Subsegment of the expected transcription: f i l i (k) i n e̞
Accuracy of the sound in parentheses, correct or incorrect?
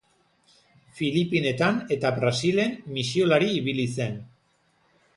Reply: incorrect